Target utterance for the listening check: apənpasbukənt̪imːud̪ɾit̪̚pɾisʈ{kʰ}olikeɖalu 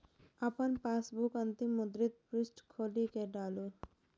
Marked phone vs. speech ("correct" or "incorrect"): correct